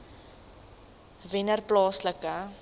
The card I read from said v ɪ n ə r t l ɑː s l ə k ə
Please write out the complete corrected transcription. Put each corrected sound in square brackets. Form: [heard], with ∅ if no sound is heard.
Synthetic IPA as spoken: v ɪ n ə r [p] l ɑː s l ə k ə